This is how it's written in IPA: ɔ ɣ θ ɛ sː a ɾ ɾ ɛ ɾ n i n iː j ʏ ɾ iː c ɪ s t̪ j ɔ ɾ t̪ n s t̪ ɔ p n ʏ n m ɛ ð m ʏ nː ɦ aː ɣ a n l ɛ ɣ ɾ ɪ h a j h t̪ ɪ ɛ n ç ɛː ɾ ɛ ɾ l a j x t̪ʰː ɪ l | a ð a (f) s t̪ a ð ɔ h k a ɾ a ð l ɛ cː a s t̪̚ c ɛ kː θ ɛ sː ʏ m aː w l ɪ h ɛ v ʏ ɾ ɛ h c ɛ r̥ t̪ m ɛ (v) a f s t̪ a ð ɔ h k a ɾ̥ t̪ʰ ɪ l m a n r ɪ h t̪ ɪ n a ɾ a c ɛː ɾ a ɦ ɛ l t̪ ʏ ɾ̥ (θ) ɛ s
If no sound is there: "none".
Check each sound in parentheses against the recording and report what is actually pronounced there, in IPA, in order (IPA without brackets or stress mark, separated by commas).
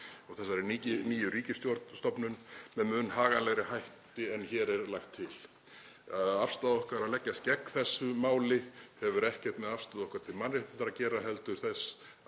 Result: f, ð, θ